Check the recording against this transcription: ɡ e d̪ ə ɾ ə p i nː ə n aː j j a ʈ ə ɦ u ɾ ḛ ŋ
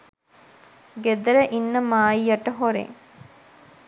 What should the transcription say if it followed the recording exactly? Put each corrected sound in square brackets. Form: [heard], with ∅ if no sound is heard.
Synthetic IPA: ɡ e d̪ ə ɾ ə [ʔ] i nː ə [m] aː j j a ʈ ə ɦ [o] ɾ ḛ ŋ